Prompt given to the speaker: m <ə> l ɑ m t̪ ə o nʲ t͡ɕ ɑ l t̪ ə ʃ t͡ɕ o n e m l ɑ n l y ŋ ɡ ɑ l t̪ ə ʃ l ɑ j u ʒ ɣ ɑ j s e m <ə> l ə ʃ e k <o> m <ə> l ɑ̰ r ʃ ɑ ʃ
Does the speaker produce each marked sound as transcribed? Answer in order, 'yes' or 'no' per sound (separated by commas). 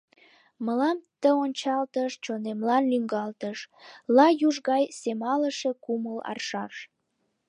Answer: yes, no, no, yes